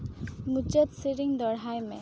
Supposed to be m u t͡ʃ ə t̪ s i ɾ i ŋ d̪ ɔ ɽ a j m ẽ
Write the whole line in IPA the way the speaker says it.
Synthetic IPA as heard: m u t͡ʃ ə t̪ s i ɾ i ŋ d̪ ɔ ɽ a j m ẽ